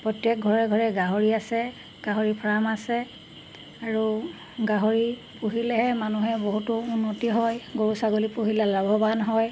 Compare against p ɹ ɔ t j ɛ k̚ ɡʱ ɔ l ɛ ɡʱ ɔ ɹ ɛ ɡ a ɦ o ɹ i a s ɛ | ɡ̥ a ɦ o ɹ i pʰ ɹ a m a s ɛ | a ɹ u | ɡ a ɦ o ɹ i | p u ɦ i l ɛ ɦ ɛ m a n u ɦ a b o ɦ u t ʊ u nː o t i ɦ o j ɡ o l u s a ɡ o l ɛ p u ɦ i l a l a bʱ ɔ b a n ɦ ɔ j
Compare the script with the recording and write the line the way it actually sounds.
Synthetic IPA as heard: p ɹ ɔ t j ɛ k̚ ɡʱ ɔ ɹ ɛ ɡʱ ɔ ɹ ɛ ɡ a ɦ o ɹ i a s ɛ | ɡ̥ a ɦ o ɹ i pʰ ɹ a m a s ɛ | a ɹ u | ɡ a ɦ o ɹ i | p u ɦ i l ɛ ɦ ɛ m a n u ɦ ɛ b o ɦ u t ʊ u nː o t i ɦ ɔ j ɡ o ɹ u s a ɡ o l i p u ɦ i l a l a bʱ ɔ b a n ɦ ɔ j